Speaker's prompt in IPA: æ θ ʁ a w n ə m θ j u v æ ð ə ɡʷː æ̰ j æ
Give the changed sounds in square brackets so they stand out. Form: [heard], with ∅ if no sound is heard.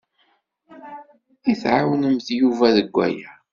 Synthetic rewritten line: [i] θ [ʕ] a w n ə m θ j u v æ ð ə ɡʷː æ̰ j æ